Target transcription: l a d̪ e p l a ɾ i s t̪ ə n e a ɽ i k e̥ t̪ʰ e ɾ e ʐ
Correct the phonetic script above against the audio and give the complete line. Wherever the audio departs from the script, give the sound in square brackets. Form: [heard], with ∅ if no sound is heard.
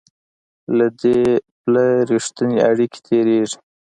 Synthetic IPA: l a d̪ e p l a ɾ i [ʂ] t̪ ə n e a ɽ i k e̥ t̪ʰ e ɾ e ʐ

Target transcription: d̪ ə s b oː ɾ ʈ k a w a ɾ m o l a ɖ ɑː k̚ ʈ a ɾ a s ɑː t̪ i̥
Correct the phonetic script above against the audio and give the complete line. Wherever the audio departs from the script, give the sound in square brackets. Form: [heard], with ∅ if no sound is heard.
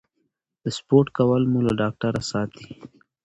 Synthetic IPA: d̪ ə s [p] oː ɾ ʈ k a w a [l] m [u] l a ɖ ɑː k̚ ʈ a ɾ a s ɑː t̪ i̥

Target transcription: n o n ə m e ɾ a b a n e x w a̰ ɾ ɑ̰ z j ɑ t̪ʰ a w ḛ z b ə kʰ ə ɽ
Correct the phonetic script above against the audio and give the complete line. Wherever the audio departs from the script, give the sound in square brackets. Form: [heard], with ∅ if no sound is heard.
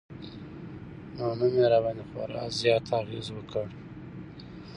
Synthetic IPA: n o n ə m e ɾ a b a n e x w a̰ ɾ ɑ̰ z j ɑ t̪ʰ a [ɣ] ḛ z [w] ə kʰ ə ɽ

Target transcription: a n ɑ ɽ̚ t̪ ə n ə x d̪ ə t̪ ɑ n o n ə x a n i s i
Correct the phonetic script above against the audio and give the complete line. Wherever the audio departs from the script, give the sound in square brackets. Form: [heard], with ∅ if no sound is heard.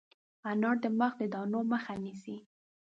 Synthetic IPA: a n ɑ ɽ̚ [d̪] ə [m] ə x d̪ ə [d̪] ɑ n o [m] ə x a n i s i

